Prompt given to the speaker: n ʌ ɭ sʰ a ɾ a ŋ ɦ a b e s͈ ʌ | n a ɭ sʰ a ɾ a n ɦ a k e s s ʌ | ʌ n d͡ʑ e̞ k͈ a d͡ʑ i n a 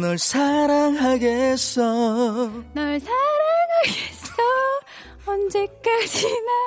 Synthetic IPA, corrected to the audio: n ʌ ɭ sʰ a ɾ a ŋ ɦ a ɡ e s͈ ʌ | n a ɭ sʰ a ɾ a ŋ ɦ a ɡ e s s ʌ | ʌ n d͡ʑ e̞ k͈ a d͡ʑ i n a